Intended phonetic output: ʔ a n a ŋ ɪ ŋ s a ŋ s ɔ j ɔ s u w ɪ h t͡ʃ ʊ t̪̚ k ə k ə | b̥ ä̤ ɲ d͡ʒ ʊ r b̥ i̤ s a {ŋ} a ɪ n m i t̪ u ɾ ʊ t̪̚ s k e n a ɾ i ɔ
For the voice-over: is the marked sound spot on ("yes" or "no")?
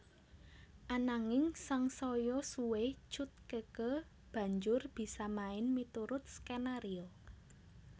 no